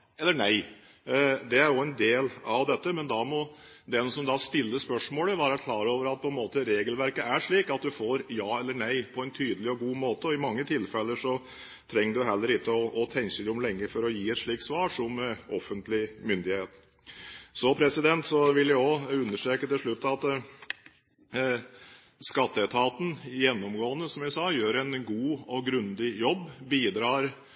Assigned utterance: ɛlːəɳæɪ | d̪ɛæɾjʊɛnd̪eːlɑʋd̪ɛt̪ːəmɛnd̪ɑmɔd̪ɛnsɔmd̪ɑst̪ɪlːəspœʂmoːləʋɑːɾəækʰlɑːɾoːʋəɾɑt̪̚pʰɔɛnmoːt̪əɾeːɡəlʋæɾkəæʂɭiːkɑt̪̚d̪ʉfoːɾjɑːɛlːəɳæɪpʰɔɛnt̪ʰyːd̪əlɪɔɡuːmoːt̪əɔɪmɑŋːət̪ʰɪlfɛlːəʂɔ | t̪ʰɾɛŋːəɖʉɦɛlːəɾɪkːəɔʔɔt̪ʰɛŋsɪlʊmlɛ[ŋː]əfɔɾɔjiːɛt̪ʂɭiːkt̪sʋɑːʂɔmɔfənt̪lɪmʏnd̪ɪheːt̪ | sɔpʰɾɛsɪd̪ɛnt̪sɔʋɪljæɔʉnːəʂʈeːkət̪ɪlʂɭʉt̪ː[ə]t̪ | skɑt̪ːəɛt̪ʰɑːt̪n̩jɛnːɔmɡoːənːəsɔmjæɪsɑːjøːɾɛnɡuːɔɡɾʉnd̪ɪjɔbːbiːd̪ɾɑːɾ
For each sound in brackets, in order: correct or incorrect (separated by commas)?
correct, incorrect